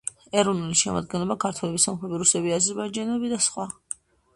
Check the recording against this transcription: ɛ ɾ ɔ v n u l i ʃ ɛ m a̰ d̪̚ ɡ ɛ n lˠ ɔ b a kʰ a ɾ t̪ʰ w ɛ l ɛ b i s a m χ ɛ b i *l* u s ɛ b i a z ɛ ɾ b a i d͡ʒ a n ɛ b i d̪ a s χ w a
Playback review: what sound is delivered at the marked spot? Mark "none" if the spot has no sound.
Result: ɾ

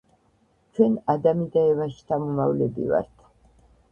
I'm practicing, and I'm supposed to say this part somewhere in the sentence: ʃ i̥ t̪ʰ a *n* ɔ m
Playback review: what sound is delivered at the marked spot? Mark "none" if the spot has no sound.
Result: m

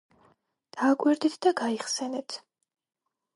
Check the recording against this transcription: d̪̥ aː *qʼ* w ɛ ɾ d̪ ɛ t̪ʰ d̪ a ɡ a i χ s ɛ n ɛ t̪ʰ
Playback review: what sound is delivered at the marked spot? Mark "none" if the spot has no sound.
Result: kʼ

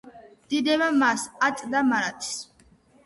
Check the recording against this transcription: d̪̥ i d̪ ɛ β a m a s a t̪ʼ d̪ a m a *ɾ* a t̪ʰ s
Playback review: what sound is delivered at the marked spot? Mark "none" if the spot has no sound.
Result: ɾ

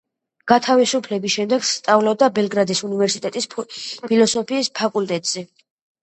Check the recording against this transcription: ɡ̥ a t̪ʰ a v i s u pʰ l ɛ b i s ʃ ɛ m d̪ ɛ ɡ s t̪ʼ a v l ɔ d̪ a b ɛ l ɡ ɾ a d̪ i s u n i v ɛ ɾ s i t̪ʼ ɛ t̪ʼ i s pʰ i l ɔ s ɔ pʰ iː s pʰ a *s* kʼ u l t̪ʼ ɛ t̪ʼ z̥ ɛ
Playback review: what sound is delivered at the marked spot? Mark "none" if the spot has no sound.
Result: none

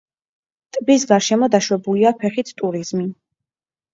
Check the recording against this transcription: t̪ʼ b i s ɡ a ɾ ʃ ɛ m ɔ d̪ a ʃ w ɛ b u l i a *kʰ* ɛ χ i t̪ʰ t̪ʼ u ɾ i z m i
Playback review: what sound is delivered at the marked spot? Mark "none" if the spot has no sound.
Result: pʰ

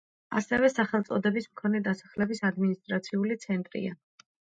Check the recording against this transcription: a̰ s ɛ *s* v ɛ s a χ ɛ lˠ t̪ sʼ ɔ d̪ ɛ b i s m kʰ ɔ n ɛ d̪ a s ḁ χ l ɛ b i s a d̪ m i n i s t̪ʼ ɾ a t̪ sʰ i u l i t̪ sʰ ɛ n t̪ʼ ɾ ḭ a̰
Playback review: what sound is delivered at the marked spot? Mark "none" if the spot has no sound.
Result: none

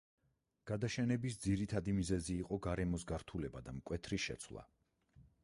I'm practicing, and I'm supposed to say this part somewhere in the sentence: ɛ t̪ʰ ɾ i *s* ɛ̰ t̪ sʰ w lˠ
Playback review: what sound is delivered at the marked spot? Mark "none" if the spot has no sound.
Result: ʃ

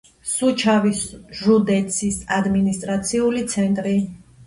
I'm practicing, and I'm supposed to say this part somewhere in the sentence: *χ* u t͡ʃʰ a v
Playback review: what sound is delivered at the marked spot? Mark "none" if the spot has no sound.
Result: s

